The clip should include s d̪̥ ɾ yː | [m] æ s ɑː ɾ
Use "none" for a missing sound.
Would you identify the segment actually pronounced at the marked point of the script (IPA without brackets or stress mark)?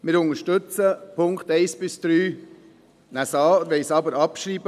n